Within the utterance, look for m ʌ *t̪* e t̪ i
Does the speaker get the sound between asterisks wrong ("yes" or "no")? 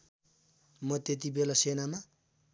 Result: no